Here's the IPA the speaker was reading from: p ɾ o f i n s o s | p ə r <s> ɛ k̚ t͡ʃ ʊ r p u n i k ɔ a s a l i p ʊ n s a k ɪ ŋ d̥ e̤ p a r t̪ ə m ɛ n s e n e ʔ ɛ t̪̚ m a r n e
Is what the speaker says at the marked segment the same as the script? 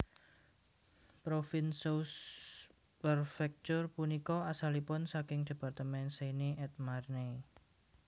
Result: no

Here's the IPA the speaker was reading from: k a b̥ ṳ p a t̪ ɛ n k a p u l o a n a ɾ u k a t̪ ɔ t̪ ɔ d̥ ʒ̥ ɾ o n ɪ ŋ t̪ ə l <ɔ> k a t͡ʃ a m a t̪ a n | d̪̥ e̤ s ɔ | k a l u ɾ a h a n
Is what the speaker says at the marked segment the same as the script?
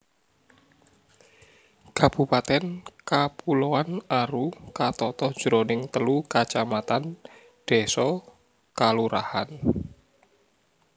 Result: no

